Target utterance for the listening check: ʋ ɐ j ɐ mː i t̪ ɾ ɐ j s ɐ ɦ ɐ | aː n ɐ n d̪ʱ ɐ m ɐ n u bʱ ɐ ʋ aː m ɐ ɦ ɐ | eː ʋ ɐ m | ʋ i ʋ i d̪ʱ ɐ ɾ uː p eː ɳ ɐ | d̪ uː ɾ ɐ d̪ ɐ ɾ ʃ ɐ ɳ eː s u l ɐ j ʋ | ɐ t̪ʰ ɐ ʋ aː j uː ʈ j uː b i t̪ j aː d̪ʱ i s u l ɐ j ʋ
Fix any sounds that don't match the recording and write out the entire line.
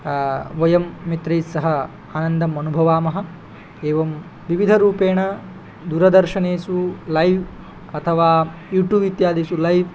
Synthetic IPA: ʋ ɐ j ɐ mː i t̪ ɾ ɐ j s ɐ ɦ ɐ | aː n ɐ n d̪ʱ ɐ m ɐ n u bʱ ɐ ʋ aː m ɐ ɦ ɐ | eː ʋ ɐ m | ʋ i ʋ i d̪ʱ ɐ ɾ uː p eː ɳ ɐ | d̪ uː ɾ ɐ d̪ ɐ ɾ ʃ ɐ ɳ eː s u l ɐ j ʋ | ɐ t̪ʰ ɐ ʋ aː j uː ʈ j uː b i t̪ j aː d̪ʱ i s u l ɐ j ʋ